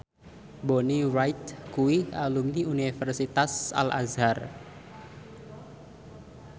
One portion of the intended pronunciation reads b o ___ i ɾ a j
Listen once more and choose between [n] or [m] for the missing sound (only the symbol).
n